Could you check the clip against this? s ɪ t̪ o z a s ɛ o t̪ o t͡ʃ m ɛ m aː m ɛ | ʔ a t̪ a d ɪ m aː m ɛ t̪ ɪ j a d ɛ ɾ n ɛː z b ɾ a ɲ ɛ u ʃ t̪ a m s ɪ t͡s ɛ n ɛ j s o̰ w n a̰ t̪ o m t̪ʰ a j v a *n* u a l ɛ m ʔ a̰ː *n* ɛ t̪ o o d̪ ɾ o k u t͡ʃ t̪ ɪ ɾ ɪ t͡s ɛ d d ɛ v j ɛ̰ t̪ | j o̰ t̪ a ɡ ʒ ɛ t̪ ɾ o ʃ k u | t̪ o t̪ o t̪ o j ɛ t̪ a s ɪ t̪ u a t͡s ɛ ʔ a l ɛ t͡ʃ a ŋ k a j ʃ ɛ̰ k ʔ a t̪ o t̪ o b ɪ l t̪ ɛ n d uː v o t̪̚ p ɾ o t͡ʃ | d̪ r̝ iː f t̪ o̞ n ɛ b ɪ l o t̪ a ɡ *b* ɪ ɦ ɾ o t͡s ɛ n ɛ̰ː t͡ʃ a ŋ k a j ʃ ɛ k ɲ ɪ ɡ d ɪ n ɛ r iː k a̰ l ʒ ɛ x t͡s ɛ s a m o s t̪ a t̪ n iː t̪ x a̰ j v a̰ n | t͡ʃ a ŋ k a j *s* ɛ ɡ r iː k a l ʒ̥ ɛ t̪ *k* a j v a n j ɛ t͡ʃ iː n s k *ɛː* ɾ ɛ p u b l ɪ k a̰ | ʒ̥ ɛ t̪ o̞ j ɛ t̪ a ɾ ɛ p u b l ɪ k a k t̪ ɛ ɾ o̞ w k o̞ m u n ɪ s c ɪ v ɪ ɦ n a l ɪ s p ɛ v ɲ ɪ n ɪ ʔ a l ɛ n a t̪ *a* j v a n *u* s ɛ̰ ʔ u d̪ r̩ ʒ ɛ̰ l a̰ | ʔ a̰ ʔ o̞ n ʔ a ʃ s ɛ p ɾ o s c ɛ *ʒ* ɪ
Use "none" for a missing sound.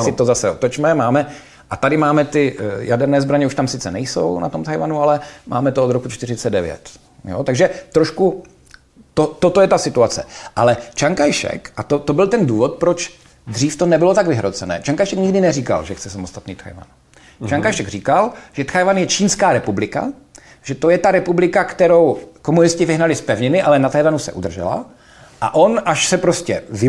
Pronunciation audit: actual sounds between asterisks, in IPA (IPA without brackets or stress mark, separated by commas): n, m, v, ʃ, x, aː, a, u, v